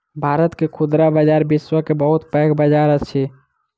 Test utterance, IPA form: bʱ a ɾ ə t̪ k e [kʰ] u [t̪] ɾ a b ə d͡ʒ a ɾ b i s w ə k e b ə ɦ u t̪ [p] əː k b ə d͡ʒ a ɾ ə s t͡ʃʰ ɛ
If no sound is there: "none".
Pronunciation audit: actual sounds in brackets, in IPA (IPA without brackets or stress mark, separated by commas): kʰ, d̪, p